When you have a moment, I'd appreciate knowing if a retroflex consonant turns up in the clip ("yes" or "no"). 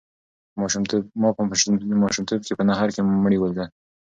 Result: yes